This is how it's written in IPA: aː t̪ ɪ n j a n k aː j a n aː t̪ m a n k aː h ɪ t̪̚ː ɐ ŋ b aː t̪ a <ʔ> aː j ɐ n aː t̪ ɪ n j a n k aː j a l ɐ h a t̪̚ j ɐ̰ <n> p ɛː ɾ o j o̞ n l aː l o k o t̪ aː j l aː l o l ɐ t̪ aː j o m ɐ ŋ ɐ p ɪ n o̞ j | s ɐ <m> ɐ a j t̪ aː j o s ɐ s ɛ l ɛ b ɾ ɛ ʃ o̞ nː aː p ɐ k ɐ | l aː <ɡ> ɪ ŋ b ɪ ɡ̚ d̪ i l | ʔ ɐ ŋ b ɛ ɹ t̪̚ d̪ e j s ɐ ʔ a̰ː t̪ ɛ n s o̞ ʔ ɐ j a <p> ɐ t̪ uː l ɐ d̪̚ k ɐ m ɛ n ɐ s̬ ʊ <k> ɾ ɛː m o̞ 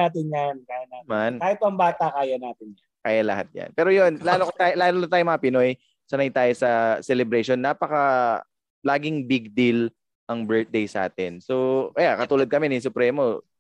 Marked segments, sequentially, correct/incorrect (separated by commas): incorrect, correct, incorrect, correct, incorrect, incorrect